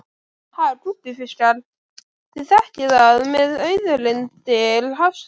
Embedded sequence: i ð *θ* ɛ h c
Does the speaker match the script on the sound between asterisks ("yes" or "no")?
yes